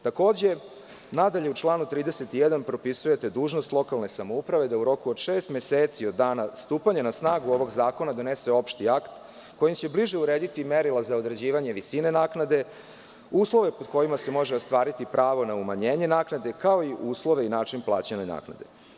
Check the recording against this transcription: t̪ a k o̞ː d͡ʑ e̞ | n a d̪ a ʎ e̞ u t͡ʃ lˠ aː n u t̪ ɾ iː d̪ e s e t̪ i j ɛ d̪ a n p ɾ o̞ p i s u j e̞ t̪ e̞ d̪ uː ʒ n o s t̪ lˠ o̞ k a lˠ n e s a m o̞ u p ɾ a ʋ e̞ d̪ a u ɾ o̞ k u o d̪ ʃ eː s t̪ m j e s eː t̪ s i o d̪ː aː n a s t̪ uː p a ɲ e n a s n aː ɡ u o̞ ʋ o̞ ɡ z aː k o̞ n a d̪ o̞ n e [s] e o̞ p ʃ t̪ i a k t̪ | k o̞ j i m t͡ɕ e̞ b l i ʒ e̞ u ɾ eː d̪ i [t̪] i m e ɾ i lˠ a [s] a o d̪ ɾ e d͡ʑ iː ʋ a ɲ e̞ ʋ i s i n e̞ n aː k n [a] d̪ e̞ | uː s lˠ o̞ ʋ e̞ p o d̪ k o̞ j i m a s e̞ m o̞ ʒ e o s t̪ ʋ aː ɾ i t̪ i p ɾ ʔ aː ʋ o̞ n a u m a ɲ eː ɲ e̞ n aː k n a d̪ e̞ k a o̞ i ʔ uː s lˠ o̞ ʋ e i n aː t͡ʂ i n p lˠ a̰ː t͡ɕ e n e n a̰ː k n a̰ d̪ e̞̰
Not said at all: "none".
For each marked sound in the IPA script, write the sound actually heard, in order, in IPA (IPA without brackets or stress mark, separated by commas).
s, t̪, z, a